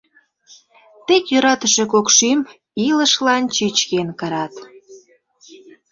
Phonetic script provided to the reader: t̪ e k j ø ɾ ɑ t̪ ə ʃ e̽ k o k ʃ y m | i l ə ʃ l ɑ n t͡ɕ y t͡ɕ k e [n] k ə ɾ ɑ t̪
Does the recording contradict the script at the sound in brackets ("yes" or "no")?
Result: no